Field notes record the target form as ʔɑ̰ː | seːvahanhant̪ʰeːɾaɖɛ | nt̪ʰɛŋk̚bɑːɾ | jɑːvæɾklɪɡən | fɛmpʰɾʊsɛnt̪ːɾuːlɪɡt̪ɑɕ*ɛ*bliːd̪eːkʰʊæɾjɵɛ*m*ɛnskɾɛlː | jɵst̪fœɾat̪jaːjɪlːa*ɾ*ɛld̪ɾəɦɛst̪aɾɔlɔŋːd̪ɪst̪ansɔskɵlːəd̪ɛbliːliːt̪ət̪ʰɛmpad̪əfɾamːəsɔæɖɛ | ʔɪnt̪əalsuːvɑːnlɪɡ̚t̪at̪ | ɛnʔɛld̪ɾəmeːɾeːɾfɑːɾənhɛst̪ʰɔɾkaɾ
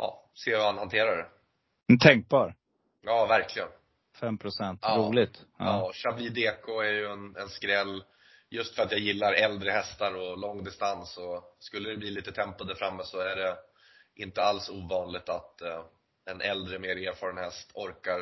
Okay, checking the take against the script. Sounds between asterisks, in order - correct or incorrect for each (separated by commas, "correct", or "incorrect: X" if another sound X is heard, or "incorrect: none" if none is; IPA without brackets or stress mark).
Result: incorrect: a, incorrect: n, correct